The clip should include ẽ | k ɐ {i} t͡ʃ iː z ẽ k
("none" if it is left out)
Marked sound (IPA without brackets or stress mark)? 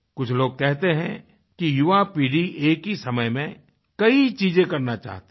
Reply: i